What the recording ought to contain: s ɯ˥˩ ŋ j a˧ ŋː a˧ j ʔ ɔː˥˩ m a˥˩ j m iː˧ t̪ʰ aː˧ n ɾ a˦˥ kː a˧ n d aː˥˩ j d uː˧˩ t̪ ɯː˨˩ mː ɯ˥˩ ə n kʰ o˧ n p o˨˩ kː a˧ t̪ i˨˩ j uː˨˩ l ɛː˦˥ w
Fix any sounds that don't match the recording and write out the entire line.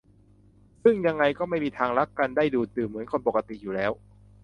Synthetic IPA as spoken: s ɯ˥˩ ŋ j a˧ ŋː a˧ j k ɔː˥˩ m a˥˩ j m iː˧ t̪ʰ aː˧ ŋ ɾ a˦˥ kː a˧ n d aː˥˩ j d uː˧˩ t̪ ɯː˨˩ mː ɯ˩˦ ə n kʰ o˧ n p o˨˩ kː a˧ t̪ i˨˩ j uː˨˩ l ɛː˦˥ w